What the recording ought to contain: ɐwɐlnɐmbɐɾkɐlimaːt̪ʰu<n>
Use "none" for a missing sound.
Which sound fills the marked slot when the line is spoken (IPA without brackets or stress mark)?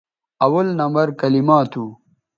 none